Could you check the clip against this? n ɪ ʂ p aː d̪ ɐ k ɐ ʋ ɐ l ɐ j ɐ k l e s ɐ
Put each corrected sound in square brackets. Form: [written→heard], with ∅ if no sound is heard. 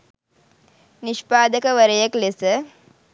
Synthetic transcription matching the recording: n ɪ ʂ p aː d̪ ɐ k ɐ ʋ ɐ [l→ɾ] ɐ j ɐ k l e s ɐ